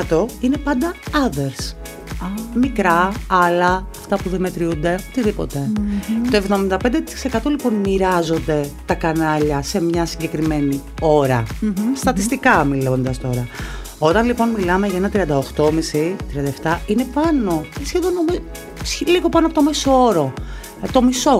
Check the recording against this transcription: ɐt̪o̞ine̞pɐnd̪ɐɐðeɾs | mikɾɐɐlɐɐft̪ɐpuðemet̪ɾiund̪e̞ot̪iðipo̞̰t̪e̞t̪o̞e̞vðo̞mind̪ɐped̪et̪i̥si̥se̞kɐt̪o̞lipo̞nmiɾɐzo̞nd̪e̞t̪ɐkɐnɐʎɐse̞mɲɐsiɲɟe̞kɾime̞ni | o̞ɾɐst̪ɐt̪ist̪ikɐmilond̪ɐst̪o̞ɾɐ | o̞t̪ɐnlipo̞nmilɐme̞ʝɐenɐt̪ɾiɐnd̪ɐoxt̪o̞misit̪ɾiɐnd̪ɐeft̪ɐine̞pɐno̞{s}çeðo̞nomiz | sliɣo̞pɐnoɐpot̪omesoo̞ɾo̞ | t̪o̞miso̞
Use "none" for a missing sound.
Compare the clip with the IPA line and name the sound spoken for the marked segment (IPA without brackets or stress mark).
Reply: s